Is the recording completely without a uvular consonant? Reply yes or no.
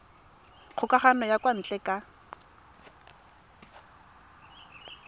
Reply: no